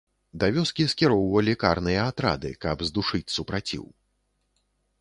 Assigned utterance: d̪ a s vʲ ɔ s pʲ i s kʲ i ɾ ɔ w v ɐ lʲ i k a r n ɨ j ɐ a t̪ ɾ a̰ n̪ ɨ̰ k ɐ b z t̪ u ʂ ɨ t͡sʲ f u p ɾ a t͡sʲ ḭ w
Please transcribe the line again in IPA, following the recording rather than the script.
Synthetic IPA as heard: d̪ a vʲ ɔ s kʲ i s kʲ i ɾ ɔ w v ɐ lʲ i k a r n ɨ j ɐ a t̪ ɾ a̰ d̪ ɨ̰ k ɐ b z d̪ u ʂ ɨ t͡sʲ s u p ɾ a t͡sʲ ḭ w

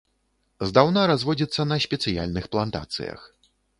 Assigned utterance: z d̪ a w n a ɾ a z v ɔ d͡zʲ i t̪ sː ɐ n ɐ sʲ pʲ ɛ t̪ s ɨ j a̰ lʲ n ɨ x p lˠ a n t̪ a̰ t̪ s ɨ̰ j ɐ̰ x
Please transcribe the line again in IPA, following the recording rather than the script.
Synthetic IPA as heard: z d̪ a w n a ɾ a z v ɔ d͡zʲ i t̪ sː ɐ n ɐ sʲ pʲ ɛ t̪ s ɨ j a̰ lʲ n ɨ x p lˠ a n t̪ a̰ t̪ s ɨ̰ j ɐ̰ x

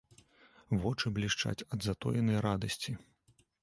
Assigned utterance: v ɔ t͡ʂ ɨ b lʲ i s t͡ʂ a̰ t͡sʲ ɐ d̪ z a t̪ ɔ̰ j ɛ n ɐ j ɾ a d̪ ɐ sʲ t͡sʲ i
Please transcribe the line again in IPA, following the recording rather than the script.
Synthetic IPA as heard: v ɔ t͡ʂ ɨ b lʲ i ʂ t͡ʂ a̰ t͡sʲ ɐ d̪ z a t̪ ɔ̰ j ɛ n ɐ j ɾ a d̪ ɐ sʲ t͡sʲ i

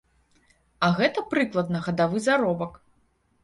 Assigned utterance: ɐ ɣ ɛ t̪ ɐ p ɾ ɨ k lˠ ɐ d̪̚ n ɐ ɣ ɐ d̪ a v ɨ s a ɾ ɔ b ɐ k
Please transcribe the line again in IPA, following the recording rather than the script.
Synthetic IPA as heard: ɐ ɣ ɛ t̪ ɐ p ɾ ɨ k lˠ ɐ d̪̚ n ɐ ɣ ɐ d̪ a v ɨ z a ɾ ɔ b ɐ k

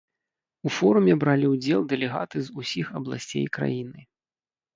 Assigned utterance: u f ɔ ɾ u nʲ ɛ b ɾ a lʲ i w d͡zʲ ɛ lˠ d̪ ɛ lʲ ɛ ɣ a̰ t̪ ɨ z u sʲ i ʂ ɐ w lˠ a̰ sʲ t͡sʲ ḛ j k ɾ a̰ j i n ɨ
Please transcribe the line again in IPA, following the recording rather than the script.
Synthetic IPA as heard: u f ɔ ɾ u mʲ ɛ b ɾ a lʲ i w d͡zʲ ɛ lˠ d̪ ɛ lʲ ɛ ɣ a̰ t̪ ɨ z u sʲ i x ɐ b lˠ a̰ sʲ t͡sʲ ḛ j k ɾ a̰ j i n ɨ

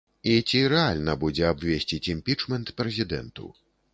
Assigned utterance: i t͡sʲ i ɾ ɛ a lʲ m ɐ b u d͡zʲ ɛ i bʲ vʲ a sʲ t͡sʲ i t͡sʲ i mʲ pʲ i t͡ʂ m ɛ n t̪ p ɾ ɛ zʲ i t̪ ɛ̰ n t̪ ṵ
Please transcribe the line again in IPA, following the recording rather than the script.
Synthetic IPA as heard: i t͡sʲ i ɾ ɛ a lʲ n ɐ b u d͡zʲ ɛ a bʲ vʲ e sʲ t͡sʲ i t͡sʲ i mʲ pʲ i t͡ʂ m ɛ n t̪ p ɾ ɛ zʲ i d̪ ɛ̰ n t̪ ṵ

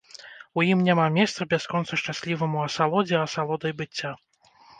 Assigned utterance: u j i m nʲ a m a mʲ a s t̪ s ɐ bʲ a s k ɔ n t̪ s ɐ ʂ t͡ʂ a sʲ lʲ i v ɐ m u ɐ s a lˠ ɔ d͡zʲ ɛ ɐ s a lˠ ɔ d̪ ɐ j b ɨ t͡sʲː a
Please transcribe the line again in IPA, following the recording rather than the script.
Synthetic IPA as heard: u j i m nʲ a m a mʲ ɛ s t̪ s ɐ bʲ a s k ɔ n t̪ s ɐ ʂ t͡ʂ a sʲ lʲ i v ɐ m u ɐ s a lˠ ɔ d͡zʲ ɛ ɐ s a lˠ ɔ d̪ ɐ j b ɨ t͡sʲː a

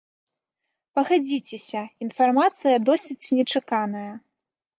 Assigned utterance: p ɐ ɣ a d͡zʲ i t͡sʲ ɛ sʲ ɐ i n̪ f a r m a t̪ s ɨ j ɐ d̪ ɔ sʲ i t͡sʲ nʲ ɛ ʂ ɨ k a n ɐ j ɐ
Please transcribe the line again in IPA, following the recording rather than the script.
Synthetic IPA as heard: p ɐ ɣ a d͡zʲ i t͡sʲ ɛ sʲ ɐ i n̪ f a r m a t̪ s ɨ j ɐ d̪ ɔ sʲ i t͡sʲ nʲ ɛ t͡ʂ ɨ k a n ɐ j ɐ

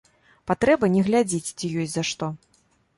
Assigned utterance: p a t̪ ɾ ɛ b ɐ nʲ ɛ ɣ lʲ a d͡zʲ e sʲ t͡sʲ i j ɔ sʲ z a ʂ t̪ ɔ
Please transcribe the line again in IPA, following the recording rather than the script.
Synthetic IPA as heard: p a t̪ ɾ ɛ b ɐ nʲ ɛ ɣ lʲ a d͡zʲ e t͡sʲ t͡sʲ i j ɔ sʲ z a ʂ t̪ ɔ

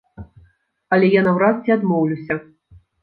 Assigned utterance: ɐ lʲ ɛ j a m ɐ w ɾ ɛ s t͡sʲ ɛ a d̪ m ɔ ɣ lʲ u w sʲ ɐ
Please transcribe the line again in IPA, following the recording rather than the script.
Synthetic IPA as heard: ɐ lʲ ɛ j a n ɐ w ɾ a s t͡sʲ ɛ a d̪ m ɔ w lʲ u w sʲ ɐ

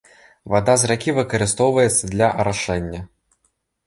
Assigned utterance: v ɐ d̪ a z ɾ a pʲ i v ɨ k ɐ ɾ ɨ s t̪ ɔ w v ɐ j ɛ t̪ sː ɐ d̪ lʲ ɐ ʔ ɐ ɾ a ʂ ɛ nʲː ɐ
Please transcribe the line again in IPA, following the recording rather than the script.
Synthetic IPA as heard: v a d̪ a z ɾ a kʲ i v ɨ k ɐ ɾ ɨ s t̪ ɔ w v ɐ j ɛ t̪ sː ɐ d̪ lʲ ɐ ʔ ɐ ɾ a ʂ ɛ nʲː ɐ

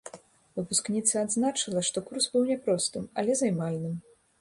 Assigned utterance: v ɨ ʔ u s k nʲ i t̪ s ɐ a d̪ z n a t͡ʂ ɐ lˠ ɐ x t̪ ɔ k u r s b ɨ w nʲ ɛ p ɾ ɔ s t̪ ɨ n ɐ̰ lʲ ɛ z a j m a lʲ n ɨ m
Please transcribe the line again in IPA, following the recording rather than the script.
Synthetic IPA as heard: v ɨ p u s k nʲ i t̪ s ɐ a d̪ z n a t͡ʂ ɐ lˠ ɐ ʂ t̪ ɔ k u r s b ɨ w nʲ ɛ p ɾ ɔ s t̪ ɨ m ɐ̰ lʲ ɛ z a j m a lʲ n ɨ m

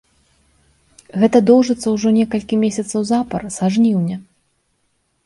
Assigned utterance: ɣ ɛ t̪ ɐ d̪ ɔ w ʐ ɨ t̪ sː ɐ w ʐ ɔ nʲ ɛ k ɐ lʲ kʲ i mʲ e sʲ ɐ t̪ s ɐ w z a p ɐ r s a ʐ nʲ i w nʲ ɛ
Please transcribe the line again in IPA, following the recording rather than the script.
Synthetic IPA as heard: ɣ ɛ t̪ ɐ d̪ ɔ w ʐ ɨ t̪ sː ɐ w ʐ ɔ nʲ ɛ k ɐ lʲ kʲ i mʲ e sʲ ɐ t̪ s ɐ w z a p ɐ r s a ʐ nʲ i w nʲ ɛ

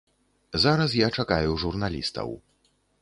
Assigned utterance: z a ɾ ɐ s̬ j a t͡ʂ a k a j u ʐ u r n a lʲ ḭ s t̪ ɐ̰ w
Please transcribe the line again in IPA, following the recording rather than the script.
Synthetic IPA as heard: z a ɾ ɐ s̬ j a t͡ʂ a k a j u ʐ u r n a lʲ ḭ s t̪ ɐ̰ w

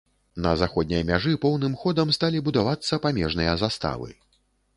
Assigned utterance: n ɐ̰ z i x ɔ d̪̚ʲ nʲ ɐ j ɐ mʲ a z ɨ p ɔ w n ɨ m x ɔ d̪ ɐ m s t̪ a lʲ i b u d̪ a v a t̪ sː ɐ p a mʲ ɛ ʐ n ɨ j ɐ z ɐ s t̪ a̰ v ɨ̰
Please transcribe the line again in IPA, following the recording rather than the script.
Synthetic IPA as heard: n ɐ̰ z a x ɔ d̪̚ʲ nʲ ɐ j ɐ mʲ a ʐ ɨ p ɔ w n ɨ m x ɔ d̪ ɐ m s t̪ a lʲ i b u d̪ a v a t̪ sː ɐ p a mʲ ɛ ʐ n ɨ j ɐ z a s t̪ a̰ v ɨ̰

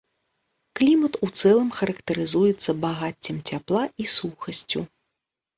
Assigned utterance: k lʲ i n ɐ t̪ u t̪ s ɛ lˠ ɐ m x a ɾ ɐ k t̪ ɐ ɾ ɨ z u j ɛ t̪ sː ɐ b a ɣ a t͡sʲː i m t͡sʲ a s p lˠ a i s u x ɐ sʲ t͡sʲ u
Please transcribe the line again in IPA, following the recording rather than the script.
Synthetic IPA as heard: k lʲ i m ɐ t̪ u t̪ s ɛ lˠ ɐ m x ɐ ɾ ɐ k t̪ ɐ ɾ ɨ z u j ɛ t̪ sː ɐ b a ɣ a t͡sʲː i m t͡sʲ a p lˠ a i s u x ɐ sʲ t͡sʲ u

